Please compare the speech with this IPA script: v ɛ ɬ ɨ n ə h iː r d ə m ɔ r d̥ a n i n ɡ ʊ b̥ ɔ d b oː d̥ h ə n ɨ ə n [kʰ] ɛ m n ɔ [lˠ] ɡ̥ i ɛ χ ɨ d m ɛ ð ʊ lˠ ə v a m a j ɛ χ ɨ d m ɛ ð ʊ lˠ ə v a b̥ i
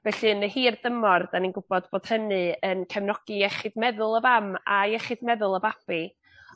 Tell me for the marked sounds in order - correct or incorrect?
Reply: correct, incorrect

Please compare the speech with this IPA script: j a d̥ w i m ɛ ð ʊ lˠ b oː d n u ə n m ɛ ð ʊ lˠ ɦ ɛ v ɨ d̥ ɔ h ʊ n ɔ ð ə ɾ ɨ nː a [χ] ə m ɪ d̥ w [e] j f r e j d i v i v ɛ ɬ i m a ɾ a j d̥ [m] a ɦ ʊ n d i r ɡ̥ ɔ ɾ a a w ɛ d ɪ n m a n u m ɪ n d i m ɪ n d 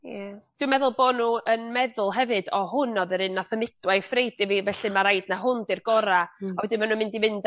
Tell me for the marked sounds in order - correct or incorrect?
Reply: incorrect, incorrect, incorrect

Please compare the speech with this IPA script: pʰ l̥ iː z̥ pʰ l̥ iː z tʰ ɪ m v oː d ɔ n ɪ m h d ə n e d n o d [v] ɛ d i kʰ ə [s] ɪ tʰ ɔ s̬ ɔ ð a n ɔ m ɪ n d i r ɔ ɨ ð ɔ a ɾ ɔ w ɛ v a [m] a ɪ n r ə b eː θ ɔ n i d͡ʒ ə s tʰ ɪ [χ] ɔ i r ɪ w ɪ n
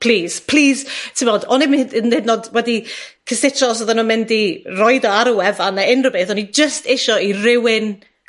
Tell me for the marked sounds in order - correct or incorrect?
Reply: incorrect, correct, incorrect, incorrect

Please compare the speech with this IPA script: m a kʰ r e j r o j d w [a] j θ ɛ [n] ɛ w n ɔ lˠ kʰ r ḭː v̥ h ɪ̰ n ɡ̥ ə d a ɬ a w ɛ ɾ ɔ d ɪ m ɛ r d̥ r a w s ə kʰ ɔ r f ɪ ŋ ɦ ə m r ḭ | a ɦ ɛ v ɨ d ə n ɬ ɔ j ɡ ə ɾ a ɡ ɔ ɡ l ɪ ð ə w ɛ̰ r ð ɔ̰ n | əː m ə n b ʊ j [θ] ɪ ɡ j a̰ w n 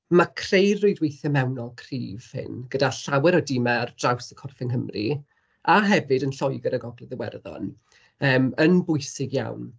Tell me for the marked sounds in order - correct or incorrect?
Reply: incorrect, incorrect, incorrect

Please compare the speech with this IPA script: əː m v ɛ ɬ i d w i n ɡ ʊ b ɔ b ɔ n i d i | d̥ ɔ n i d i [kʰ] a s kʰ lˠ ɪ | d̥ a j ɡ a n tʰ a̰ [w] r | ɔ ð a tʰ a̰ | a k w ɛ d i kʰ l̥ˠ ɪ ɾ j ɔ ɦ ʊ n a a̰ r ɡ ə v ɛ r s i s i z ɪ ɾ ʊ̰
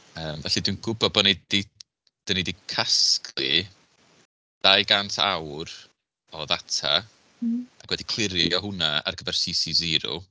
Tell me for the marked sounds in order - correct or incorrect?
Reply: correct, correct

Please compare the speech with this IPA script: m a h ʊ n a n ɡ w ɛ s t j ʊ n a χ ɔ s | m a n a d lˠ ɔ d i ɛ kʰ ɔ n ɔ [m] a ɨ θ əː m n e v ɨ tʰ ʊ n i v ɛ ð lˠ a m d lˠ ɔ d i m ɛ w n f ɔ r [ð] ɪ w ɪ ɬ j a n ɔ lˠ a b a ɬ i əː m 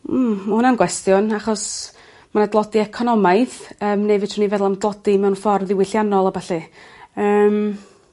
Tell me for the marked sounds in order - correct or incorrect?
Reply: correct, correct

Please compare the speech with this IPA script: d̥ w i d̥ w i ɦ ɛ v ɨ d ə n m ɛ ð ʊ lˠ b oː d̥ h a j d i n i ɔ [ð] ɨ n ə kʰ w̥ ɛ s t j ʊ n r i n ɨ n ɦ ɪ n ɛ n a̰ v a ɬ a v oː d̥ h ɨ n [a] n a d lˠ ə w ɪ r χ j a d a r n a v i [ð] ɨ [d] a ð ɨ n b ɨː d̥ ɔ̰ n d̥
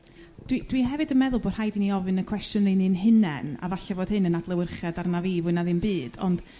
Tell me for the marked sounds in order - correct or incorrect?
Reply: incorrect, incorrect, incorrect, incorrect

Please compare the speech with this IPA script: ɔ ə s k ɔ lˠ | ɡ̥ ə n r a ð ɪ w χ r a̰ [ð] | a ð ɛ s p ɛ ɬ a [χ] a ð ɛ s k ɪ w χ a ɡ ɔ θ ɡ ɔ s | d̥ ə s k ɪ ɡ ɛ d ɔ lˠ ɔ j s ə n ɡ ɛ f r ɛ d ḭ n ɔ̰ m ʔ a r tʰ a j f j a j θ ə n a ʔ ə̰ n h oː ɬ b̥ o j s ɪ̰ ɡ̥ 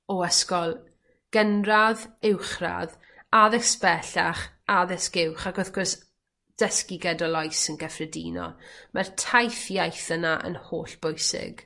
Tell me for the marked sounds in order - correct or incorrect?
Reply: correct, correct

